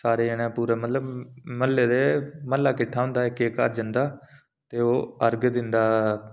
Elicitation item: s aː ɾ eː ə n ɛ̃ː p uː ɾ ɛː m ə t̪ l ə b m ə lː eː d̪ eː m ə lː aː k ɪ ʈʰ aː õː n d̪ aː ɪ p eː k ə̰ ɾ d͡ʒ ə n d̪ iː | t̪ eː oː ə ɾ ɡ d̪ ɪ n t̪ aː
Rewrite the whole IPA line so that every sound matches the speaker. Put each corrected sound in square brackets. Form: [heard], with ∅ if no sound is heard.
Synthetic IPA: s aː ɾ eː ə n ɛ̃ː p uː ɾ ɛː m ə t̪ l ə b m ə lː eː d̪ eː m ə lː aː k ɪ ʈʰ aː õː n d̪ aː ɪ [k] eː k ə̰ ɾ d͡ʒ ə n d̪ [aː] | t̪ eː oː ə ɾ ɡ d̪ ɪ n [d̪] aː